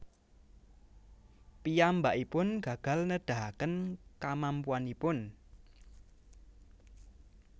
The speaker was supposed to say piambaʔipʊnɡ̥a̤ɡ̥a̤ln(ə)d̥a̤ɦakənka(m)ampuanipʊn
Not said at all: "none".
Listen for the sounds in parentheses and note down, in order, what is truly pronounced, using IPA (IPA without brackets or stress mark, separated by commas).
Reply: ə, m